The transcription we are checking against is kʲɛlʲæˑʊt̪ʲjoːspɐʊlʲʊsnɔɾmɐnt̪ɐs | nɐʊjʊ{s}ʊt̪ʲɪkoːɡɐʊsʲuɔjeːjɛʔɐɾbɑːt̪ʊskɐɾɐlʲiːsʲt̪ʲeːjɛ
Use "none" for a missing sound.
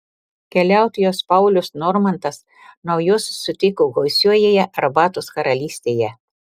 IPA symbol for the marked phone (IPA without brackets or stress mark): sː